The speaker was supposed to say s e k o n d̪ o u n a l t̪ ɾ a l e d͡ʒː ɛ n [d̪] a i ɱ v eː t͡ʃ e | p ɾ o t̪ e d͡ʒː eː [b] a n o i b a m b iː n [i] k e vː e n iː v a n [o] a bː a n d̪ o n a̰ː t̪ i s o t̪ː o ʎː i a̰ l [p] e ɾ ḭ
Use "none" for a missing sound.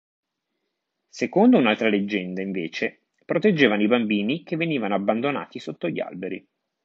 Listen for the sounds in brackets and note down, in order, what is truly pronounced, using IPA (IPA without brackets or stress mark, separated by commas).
d̪, v, i, o, b